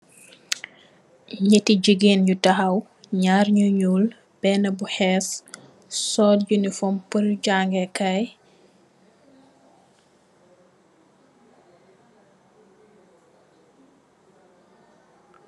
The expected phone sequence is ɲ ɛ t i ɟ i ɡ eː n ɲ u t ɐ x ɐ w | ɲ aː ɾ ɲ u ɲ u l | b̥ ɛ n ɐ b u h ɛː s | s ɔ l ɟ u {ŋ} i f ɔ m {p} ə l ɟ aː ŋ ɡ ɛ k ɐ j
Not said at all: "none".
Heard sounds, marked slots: n, p

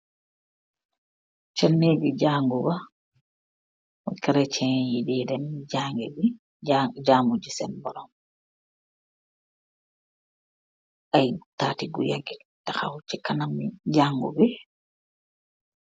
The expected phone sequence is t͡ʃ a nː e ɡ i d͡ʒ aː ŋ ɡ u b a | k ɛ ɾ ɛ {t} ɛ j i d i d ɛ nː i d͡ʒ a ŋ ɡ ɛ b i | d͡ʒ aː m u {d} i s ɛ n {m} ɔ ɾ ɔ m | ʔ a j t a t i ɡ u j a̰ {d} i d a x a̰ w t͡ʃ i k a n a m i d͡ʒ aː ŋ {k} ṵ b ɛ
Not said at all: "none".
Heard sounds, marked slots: t͡ʃ, d͡ʒ, b, ɡ, ɡ

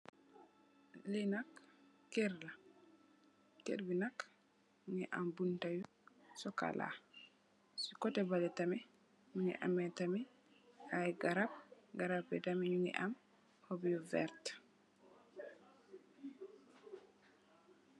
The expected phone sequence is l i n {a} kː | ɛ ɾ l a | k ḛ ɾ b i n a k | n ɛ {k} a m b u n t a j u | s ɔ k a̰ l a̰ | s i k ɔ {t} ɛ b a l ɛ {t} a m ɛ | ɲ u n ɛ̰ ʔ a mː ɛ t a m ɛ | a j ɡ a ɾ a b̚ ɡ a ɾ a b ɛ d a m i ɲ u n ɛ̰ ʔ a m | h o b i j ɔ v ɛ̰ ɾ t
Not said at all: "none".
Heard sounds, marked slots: a, ʔ, t, t

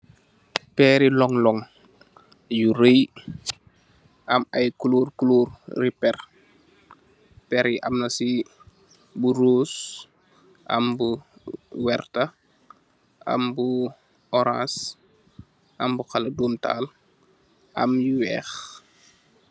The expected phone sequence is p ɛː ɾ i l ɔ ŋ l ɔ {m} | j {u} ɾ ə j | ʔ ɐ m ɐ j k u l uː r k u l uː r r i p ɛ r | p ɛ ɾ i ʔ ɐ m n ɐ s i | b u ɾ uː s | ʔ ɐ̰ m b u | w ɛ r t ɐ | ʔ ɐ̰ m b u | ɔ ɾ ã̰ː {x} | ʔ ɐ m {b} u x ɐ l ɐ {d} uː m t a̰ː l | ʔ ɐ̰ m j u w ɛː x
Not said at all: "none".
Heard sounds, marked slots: ŋ, u, s, b, d

